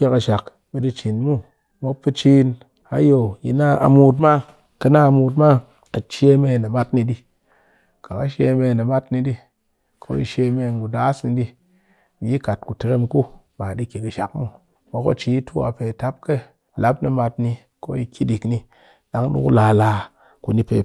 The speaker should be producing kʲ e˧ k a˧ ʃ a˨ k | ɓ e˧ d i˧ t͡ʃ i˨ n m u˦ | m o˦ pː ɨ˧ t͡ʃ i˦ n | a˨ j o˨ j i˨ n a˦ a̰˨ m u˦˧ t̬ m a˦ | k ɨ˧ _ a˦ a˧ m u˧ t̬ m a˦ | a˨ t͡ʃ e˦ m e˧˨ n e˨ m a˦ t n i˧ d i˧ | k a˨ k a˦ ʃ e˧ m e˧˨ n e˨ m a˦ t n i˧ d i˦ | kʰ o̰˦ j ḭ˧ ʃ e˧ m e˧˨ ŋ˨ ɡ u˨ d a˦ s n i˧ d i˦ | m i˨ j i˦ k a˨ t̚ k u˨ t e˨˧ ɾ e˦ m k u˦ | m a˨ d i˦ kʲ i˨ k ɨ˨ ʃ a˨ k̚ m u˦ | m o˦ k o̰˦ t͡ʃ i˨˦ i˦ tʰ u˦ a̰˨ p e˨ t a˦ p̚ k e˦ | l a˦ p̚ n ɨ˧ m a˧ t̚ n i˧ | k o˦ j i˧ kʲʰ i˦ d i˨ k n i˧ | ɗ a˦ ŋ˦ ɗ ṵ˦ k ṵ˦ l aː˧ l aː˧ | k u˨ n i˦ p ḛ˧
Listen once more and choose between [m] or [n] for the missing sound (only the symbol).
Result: n